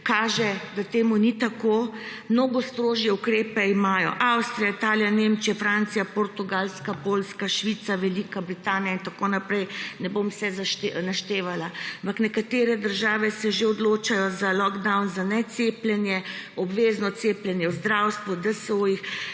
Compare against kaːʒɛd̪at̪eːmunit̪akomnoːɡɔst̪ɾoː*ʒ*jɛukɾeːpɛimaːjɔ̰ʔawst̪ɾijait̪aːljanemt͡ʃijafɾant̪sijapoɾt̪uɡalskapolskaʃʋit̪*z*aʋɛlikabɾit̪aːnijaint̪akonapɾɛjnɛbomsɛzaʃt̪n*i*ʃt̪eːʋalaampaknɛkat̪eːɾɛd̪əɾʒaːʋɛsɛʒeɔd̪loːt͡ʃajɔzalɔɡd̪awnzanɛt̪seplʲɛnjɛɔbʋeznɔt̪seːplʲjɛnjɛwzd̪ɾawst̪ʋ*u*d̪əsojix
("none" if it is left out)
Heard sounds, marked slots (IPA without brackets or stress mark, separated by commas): ʒ, s, a, u